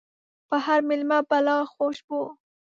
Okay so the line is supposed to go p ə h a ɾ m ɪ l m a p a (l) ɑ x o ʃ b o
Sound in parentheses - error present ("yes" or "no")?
no